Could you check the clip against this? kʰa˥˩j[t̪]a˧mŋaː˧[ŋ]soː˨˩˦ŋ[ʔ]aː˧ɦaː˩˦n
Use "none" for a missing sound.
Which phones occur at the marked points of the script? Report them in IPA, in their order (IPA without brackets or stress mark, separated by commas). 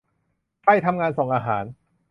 t̪ʰ, n, ʔ